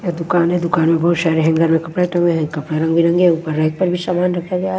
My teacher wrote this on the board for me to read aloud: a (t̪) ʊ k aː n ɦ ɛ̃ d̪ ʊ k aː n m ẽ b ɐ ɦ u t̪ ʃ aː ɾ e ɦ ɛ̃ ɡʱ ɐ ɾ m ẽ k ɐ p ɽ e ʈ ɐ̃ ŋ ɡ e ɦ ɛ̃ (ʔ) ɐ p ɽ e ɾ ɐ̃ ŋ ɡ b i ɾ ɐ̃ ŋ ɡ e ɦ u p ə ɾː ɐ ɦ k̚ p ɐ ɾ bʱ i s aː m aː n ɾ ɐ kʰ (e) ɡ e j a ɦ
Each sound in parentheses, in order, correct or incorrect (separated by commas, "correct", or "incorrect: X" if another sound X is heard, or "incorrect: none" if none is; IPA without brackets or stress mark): incorrect: d̪, incorrect: k, incorrect: a